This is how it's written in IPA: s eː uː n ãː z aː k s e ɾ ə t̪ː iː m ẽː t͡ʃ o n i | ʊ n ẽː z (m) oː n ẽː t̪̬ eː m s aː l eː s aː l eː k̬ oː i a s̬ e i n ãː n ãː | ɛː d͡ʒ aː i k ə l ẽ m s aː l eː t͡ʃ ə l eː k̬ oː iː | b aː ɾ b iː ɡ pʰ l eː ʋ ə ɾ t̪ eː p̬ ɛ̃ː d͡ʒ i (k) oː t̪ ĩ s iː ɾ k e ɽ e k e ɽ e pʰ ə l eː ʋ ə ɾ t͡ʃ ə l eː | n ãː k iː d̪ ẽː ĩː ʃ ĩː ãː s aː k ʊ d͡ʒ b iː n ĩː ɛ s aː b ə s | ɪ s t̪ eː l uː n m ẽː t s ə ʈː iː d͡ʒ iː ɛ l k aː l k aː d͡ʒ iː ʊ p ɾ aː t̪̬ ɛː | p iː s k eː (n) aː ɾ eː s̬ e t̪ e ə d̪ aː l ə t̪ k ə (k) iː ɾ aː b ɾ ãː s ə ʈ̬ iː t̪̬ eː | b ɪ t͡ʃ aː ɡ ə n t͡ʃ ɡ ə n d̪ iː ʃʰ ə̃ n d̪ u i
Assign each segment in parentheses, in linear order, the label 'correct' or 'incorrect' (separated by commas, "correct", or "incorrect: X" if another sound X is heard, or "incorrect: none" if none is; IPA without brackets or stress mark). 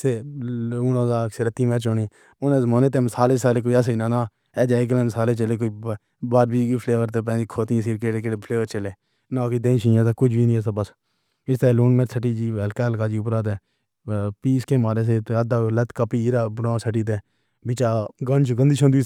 correct, incorrect: kʰ, incorrect: m, incorrect: p